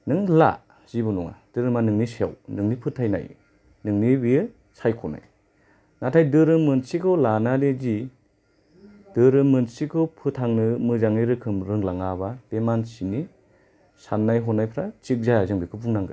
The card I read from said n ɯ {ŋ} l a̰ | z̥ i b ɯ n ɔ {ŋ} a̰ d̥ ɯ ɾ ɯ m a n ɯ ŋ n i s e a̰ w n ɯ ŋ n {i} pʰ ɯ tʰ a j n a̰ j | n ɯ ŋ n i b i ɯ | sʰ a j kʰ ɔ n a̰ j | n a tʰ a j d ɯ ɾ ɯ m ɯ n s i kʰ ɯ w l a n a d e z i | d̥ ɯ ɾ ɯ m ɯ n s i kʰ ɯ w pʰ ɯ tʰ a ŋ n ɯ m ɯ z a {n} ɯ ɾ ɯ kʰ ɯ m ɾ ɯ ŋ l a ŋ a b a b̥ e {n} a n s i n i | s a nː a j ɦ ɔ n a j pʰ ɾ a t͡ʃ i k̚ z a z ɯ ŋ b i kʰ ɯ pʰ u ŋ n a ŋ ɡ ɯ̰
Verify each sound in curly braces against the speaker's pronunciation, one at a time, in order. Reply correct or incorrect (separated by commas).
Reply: correct, correct, correct, incorrect, incorrect